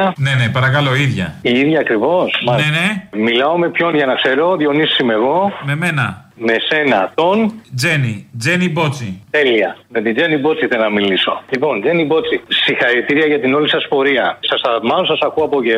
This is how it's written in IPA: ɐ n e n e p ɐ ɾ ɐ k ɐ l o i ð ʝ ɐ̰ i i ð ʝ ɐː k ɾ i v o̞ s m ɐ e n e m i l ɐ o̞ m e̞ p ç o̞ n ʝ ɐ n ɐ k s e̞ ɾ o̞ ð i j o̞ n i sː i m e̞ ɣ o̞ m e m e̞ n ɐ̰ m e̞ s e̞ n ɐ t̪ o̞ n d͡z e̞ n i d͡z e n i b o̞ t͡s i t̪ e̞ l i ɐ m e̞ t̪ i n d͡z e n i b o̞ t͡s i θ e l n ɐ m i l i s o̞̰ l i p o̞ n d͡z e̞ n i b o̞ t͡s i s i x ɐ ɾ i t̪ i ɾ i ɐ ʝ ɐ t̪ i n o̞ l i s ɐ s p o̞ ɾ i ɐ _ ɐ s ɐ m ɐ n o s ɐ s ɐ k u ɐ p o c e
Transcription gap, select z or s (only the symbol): s